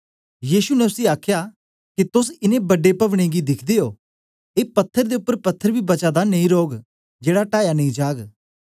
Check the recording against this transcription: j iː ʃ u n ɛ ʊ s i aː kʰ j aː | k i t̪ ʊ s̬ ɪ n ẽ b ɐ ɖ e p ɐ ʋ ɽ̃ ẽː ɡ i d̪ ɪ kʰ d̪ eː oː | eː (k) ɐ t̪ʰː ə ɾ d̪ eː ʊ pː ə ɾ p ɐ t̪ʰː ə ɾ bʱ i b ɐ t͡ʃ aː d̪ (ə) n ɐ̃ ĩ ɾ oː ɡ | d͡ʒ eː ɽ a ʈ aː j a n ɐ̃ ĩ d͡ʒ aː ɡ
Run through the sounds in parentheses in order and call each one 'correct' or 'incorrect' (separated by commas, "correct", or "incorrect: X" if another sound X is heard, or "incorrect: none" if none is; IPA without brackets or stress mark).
incorrect: p, incorrect: a